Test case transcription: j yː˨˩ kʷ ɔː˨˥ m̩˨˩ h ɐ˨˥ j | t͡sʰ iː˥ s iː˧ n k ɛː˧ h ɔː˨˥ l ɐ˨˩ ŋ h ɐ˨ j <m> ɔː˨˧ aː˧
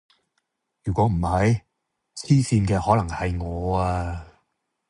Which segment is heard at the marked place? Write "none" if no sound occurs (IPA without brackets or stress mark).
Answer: ŋ